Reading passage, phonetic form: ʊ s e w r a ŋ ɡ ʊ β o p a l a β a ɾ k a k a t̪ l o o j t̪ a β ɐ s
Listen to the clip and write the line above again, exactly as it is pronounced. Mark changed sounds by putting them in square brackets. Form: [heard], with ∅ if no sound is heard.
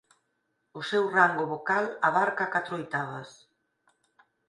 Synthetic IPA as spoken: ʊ s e w r a ŋ ɡ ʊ β o [k] a l a β a ɾ k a k a t̪ [ɾ] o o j t̪ a β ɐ s